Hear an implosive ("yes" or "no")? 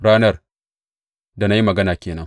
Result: no